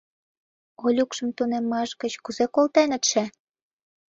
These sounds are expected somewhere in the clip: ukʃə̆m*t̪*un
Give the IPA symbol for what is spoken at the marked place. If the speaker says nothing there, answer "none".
t̪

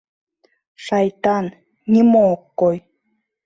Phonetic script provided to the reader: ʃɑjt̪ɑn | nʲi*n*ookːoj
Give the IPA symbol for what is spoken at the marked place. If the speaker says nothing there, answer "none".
m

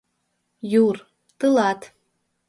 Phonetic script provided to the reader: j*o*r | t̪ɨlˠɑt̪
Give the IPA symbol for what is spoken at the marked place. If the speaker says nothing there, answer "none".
u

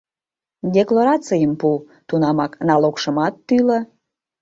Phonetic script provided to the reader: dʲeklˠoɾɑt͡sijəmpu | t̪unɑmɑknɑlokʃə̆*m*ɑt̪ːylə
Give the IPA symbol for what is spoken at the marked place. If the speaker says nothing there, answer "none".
m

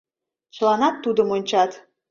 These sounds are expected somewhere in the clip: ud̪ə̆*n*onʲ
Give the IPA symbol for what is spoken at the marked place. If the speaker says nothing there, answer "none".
m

